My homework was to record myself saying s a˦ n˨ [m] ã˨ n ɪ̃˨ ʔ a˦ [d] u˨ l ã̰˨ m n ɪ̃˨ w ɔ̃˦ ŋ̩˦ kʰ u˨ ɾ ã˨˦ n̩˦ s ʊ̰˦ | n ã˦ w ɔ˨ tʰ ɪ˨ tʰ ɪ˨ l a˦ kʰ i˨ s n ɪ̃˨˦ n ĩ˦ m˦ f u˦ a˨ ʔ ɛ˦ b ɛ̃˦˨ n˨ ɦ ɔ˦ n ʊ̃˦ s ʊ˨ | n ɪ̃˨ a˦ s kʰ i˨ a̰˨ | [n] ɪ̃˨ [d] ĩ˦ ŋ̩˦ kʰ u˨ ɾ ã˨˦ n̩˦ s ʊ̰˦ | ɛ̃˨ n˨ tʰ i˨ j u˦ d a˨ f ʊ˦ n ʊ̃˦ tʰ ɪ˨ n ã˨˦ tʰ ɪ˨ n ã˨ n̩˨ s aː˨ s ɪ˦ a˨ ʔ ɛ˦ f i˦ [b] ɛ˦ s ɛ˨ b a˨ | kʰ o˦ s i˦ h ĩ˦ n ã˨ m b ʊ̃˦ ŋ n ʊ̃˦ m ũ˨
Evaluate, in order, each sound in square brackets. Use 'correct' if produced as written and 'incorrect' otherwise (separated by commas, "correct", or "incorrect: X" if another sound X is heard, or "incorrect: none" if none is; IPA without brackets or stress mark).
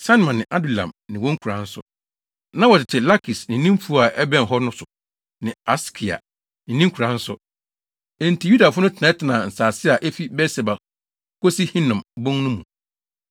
correct, correct, correct, incorrect: n, correct